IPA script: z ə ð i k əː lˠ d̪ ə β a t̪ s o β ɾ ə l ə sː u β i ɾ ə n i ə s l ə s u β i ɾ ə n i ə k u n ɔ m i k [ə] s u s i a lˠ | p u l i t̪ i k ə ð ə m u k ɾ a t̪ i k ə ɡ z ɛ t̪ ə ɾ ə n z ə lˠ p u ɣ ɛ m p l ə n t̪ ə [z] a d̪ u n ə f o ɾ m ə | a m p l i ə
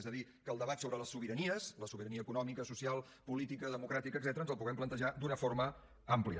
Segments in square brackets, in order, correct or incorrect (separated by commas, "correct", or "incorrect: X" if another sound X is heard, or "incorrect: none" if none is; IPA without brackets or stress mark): correct, incorrect: ʒ